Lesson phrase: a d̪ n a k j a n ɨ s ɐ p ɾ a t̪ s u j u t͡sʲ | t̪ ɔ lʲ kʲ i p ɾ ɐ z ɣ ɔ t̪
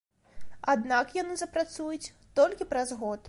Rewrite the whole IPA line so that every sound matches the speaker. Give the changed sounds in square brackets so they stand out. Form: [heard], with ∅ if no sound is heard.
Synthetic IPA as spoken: a d̪ n a k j a n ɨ [z] ɐ p ɾ a t̪ s u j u t͡sʲ | t̪ ɔ lʲ kʲ i p ɾ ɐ z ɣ ɔ t̪